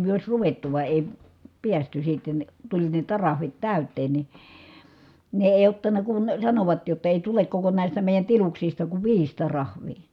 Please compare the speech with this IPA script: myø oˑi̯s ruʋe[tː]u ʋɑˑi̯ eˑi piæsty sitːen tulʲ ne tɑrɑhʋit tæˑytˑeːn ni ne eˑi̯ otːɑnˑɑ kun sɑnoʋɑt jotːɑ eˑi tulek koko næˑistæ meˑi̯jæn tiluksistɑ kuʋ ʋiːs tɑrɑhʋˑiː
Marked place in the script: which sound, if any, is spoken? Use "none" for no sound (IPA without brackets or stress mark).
tː